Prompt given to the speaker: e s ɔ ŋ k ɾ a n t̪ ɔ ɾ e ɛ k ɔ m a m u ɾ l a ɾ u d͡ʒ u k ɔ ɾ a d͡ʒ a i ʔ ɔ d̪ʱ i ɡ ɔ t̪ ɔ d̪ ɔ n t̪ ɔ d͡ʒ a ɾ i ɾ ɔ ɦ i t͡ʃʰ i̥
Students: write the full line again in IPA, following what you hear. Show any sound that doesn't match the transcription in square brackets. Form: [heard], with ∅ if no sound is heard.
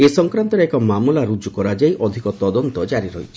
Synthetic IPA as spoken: e s ɔ ŋ k ɾ a n t̪ ɔ ɾ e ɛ k ɔ m a m u [∅] l a ɾ u d͡ʒ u k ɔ ɾ a d͡ʒ a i ʔ ɔ d̪ʱ i [k] ɔ t̪ ɔ d̪ ɔ n t̪ ɔ d͡ʒ a ɾ i ɾ ɔ ɦ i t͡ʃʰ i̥